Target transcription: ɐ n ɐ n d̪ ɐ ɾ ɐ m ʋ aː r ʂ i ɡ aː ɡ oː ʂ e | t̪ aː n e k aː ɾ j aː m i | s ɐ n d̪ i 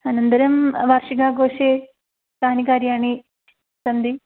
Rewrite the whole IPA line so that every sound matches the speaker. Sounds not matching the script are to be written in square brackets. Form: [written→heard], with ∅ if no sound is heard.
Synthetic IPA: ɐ n ɐ n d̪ ɐ ɾ ɐ m ʋ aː r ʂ i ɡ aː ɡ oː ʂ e | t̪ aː n [e→i] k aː ɾ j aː [m→ɳ] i | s ɐ n d̪ i